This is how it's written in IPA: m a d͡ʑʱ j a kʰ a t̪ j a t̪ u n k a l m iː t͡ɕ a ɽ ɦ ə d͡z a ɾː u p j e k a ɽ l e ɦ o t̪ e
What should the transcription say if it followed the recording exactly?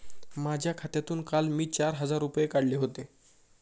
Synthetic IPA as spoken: m a d͡ʑʱ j a kʰ a t̪ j a t̪ uː n k a l m iː t͡ɕ a ɾ ɦ ə d͡z a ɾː u p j e k a ɽ l e ɦ o t̪ e